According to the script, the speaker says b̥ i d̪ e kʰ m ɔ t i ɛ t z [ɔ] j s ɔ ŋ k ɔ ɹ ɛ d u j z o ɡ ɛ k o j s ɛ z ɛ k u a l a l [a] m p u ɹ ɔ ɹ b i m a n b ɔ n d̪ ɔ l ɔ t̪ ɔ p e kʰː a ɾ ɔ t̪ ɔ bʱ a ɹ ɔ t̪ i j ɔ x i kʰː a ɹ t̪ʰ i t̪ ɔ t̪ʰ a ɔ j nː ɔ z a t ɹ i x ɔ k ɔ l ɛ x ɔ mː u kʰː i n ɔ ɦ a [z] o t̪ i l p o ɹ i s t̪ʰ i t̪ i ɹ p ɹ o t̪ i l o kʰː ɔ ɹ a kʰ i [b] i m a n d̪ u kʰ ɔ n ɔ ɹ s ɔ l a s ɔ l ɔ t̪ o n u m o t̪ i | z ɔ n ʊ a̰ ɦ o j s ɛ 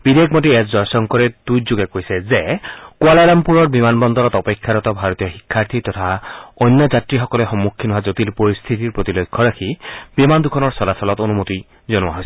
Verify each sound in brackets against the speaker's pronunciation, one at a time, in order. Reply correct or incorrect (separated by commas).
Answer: correct, correct, correct, correct